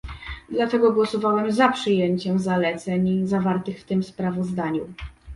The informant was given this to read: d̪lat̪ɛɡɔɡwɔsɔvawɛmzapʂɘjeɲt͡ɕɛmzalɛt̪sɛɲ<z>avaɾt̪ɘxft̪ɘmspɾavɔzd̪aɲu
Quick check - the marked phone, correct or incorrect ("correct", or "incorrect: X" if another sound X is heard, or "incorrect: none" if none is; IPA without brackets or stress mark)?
correct